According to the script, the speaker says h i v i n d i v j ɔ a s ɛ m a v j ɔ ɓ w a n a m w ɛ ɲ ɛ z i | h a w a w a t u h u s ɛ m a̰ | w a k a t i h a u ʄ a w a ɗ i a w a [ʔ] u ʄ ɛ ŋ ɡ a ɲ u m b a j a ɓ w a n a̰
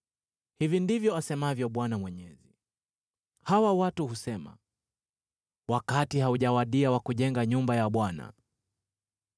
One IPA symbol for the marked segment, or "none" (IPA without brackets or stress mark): k